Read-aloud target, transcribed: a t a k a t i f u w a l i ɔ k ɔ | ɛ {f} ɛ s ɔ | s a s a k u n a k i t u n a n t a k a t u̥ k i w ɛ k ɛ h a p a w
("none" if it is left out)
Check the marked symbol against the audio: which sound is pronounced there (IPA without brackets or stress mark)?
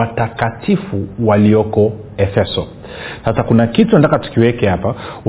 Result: f